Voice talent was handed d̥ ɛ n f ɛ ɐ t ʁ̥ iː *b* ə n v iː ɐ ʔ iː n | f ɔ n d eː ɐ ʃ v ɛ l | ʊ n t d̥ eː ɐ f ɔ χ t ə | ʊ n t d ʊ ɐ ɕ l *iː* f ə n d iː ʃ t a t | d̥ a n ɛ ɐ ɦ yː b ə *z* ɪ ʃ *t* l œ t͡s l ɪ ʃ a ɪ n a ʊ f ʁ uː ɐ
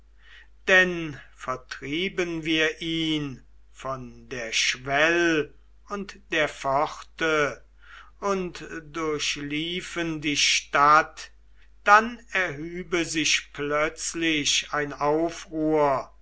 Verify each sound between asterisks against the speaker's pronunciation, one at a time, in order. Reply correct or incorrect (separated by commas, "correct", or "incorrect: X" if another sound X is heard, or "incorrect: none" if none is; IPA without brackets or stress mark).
correct, correct, correct, incorrect: p